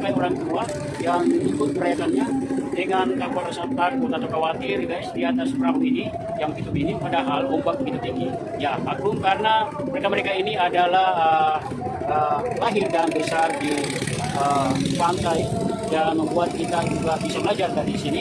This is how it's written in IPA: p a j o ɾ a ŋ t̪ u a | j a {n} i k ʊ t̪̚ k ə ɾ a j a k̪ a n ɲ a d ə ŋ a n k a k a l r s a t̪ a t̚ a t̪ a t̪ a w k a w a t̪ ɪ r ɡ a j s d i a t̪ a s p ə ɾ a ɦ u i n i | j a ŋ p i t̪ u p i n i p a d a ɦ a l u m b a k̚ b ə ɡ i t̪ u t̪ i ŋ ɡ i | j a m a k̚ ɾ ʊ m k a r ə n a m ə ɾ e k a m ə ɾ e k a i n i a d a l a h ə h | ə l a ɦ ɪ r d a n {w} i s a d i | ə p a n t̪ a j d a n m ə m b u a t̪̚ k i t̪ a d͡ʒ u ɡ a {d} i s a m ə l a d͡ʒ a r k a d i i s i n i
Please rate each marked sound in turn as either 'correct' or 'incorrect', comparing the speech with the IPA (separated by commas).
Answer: incorrect, incorrect, incorrect